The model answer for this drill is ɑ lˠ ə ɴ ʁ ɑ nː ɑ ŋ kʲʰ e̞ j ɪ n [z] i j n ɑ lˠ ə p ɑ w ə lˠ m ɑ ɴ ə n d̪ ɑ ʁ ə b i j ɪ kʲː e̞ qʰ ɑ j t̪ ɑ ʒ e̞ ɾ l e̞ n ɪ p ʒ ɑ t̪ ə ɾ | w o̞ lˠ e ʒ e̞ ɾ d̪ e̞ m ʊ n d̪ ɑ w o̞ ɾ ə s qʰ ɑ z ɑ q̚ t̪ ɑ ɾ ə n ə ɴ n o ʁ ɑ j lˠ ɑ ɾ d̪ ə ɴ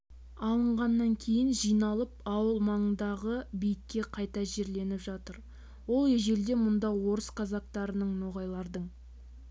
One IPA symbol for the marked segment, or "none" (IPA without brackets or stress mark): ʒ